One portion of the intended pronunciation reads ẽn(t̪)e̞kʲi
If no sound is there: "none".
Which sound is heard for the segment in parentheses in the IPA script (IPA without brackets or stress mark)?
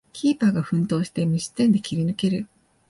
d̪